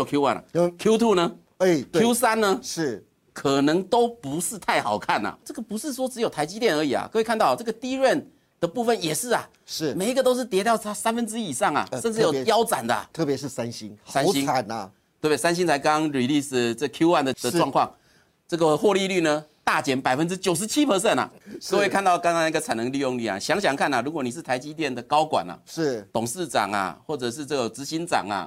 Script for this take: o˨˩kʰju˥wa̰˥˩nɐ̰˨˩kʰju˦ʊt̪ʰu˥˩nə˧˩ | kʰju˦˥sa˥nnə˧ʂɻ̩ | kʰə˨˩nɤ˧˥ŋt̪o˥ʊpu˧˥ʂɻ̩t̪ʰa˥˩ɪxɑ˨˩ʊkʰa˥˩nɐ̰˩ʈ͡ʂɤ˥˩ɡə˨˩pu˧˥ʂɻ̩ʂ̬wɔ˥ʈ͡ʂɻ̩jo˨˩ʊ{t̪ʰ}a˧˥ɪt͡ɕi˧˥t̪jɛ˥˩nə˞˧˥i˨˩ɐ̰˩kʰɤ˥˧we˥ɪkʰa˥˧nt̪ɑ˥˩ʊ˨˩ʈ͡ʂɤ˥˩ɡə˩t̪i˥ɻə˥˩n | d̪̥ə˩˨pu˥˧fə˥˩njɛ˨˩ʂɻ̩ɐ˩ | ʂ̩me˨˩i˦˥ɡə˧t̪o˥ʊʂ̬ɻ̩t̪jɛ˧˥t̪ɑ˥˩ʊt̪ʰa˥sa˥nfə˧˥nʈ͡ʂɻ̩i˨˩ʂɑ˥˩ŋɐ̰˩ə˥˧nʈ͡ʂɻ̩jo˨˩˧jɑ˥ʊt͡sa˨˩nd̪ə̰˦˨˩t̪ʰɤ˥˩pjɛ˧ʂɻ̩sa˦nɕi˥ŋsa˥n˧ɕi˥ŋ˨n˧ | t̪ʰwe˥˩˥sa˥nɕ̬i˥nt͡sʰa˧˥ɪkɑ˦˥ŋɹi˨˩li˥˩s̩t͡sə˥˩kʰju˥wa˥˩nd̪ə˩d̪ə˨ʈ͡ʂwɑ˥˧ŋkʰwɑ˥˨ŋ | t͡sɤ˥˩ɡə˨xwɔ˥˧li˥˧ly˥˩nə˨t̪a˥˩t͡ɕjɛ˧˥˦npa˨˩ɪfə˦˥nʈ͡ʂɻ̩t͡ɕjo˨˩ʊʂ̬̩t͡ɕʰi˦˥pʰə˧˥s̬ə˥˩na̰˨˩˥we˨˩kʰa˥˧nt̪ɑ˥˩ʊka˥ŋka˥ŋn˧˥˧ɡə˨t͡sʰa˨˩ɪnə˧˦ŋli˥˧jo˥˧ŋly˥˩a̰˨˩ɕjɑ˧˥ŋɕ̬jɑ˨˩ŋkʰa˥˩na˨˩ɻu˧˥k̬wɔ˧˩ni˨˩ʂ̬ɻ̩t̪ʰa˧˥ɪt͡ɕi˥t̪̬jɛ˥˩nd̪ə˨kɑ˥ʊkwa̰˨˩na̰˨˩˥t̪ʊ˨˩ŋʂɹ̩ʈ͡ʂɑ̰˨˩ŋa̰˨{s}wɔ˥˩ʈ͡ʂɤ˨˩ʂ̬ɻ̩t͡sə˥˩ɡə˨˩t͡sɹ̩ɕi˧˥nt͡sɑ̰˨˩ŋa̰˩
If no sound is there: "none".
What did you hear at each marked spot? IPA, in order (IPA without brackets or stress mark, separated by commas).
t̪ʰ, x